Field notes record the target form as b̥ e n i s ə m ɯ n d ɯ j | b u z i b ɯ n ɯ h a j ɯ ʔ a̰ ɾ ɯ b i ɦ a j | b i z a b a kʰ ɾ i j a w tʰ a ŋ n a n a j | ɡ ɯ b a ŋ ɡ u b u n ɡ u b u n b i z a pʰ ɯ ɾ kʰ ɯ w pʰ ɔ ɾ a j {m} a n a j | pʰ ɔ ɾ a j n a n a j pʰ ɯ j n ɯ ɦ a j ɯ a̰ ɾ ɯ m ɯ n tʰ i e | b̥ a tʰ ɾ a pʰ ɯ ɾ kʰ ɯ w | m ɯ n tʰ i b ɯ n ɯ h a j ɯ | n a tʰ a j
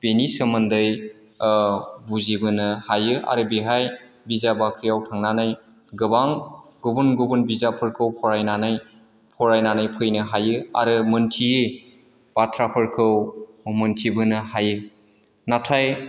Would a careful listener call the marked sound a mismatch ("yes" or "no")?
yes